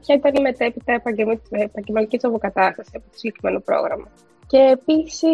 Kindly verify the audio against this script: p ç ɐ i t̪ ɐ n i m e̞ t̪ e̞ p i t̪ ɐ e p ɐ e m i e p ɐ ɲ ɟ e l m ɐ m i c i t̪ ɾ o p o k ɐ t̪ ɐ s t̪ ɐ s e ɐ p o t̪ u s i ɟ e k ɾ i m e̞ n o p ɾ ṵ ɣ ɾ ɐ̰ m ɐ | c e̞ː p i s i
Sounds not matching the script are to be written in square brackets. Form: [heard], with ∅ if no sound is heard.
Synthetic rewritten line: p ç ɐ i t̪ ɐ n i m e̞ t̪ e̞ p i t̪ ɐ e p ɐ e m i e p ɐ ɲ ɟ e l m ɐ [n] i c i t̪ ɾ o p o k ɐ t̪ ɐ s t̪ ɐ s [i] ɐ p o t̪ [o] s i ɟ e k ɾ i m e̞ n o p ɾ [o̰] ɣ ɾ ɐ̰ m ɐ | c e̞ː p i s i